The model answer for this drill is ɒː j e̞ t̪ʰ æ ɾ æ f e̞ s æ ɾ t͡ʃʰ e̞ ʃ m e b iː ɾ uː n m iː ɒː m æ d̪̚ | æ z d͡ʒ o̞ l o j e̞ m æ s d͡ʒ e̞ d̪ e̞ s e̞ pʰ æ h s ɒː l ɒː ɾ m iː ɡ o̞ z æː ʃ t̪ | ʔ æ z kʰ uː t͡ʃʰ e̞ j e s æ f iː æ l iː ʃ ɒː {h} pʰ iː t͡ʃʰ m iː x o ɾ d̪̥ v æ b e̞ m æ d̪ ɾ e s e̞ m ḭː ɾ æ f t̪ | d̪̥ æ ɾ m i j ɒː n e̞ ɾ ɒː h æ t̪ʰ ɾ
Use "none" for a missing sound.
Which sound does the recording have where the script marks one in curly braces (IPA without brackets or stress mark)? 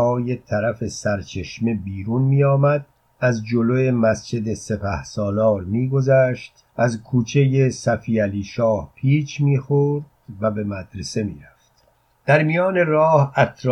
h